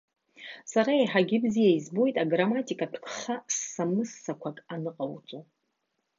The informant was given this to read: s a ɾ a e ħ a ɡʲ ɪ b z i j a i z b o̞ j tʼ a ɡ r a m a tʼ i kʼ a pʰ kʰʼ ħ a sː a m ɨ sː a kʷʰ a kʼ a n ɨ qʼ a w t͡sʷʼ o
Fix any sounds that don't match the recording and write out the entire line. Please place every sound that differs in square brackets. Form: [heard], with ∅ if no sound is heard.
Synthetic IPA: s a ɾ a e ħ a ɡʲ ɪ b z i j a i z b o̞ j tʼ a ɡ r a m a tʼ i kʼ a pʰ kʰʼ [χ] a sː a m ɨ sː a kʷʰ a kʼ a n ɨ qʼ a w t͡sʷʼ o